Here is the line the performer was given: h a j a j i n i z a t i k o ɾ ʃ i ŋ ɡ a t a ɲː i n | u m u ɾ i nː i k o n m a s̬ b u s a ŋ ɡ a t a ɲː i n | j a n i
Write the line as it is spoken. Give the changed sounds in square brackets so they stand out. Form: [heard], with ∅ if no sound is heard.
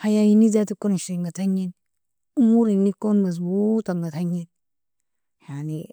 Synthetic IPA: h a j a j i n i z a t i k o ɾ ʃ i ŋ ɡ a t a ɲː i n | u m u ɾ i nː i k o n m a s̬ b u [t] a ŋ ɡ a t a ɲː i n | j a n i